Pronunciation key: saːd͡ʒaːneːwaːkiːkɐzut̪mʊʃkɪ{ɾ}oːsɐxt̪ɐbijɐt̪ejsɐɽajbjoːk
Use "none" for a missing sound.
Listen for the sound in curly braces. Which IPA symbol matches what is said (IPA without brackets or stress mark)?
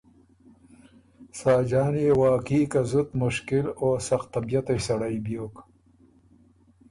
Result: l